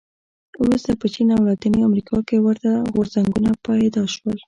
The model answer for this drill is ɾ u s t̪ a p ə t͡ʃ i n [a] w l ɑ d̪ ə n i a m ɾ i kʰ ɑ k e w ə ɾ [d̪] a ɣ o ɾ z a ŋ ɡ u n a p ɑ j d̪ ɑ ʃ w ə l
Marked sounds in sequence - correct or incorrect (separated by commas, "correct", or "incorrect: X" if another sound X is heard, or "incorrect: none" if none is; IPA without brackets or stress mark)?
correct, incorrect: t̪